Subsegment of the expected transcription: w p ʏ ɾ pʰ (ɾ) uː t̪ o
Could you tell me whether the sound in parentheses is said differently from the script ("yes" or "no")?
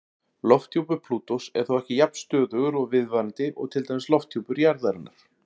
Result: yes